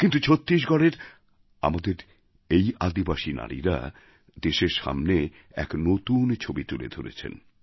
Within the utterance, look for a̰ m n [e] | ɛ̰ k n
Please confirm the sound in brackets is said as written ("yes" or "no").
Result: yes